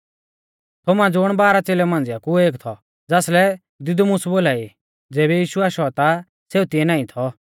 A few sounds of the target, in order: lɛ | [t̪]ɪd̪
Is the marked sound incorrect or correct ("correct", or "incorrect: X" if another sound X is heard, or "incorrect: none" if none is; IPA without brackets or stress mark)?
incorrect: d̪